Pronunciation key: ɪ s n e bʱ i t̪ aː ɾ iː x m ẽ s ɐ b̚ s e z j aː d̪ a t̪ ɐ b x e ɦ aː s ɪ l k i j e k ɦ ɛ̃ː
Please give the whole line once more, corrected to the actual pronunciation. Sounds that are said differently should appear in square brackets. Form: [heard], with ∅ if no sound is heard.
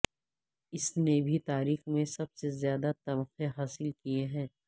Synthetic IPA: ɪ s n e bʱ i t̪ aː ɾ iː x m ẽ s ɐ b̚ s e z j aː d̪ a t̪ ɐ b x e ɦ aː s ɪ l k i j e [∅] ɦ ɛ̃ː